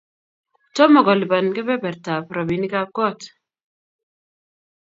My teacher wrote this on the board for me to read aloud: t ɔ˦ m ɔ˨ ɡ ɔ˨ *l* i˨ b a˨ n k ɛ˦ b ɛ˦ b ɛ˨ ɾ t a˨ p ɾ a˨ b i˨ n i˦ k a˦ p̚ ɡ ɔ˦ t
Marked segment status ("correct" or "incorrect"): correct